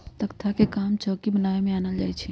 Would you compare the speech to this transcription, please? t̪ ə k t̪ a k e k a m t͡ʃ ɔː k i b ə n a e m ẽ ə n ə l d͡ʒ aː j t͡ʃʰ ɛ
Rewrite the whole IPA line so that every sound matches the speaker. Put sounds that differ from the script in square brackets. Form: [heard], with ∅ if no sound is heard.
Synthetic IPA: t̪ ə k [t̪ʰ] a k e k a m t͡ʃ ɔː k i b ə n a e m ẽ [a] n ə l d͡ʒ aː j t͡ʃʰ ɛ